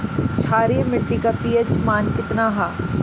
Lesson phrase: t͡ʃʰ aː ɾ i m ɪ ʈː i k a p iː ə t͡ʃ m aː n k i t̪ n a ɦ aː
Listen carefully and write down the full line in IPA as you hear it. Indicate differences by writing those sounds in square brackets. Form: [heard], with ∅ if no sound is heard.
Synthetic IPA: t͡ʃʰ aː ɾ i m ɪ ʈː i k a p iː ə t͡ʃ m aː n k [ɪ] t̪ n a ɦ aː